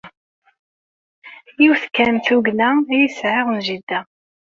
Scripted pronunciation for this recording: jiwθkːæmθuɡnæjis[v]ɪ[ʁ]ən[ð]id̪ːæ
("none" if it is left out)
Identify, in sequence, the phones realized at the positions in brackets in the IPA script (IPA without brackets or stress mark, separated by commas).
ʕ, ʁ, ʒ